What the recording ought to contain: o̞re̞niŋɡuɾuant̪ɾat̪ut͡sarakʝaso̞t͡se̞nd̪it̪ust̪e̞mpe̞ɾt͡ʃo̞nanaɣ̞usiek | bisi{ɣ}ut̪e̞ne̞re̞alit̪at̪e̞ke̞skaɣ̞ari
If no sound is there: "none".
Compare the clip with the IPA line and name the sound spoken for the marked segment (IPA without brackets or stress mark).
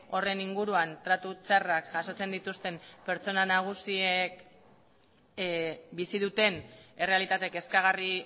ð